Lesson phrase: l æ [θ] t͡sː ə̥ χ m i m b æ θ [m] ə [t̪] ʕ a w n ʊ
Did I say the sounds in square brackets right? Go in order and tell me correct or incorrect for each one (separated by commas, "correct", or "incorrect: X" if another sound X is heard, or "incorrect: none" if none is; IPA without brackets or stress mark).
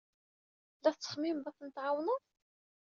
correct, incorrect: n, correct